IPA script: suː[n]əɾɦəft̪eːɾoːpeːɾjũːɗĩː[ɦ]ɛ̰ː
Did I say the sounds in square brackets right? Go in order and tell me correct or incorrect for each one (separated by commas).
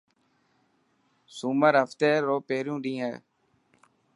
incorrect, correct